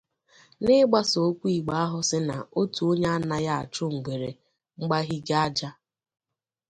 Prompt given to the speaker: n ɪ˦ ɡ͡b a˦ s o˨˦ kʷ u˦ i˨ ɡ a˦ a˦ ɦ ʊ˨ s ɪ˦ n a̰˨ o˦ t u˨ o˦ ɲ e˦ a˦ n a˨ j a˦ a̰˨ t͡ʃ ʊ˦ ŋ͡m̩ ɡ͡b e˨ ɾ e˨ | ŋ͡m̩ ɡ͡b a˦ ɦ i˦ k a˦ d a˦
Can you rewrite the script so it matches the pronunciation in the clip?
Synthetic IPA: n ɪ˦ ɡ͡b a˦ s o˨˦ kʷ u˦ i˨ ɡ͡b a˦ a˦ ɦ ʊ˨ s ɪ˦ n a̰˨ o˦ t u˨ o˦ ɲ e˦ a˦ n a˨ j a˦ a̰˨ t͡ʃ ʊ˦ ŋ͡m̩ ɡ͡b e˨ ɾ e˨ | ŋ͡m̩ ɡ͡b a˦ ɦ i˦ ɡ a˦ d͡ʒ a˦